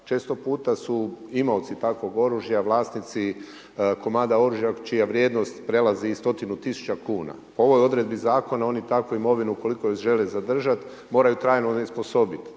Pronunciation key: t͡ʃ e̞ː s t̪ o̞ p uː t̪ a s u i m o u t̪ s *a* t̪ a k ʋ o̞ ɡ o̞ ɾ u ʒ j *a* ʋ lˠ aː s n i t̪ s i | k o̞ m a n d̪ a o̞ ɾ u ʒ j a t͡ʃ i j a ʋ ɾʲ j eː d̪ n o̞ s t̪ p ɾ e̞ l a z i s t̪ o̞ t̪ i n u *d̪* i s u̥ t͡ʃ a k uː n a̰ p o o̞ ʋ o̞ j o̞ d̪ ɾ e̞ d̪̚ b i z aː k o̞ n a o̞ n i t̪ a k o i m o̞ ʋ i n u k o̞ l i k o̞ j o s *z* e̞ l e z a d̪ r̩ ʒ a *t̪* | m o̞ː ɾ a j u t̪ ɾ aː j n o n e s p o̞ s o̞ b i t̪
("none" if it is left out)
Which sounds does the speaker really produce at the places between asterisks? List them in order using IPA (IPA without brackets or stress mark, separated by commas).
i, a, t̪, ʒ, t̪